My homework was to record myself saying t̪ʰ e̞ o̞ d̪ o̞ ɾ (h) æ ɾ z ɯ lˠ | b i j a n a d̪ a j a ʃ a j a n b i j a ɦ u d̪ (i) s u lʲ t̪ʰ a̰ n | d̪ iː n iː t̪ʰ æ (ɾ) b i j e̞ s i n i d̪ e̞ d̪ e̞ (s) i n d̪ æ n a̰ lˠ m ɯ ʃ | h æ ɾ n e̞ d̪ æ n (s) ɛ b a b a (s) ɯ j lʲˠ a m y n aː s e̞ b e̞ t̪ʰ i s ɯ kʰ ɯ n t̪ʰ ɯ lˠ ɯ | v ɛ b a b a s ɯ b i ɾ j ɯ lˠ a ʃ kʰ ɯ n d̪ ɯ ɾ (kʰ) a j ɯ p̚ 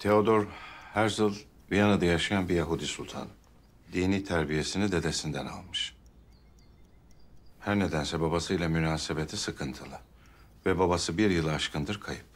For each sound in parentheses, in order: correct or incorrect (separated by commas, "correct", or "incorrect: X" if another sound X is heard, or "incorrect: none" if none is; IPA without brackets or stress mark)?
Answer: correct, correct, correct, correct, correct, correct, correct